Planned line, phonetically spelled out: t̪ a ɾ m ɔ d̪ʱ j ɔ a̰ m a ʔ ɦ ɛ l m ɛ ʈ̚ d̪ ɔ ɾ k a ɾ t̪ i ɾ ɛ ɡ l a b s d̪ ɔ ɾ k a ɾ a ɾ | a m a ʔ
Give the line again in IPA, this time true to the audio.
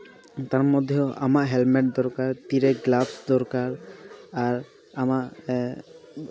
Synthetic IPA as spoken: t̪ a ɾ m ɔ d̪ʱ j ɔ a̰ m a ʔ ɦ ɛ l m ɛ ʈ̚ d̪ ɔ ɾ k a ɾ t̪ i ɾ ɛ ɡ l a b s d̪ ɔ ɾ k a ɾ a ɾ | a m a ʔ